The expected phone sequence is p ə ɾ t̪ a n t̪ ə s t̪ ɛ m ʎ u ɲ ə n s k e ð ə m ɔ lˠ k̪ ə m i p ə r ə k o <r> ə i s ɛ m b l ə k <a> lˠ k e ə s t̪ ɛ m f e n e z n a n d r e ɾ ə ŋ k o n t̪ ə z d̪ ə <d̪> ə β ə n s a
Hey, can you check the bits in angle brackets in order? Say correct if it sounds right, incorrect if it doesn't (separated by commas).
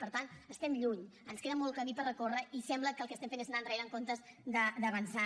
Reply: correct, incorrect, correct